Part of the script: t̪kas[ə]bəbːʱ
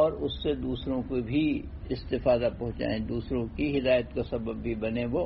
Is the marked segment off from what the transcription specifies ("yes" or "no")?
yes